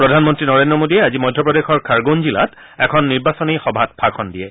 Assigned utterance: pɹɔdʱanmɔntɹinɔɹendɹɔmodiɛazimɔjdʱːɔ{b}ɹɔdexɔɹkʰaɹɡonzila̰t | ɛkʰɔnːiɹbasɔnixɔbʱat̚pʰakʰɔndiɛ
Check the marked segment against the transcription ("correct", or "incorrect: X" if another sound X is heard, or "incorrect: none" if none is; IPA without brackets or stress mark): incorrect: p